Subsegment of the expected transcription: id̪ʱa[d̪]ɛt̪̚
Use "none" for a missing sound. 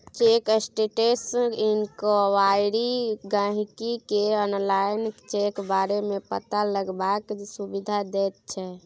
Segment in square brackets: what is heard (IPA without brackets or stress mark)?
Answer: d̪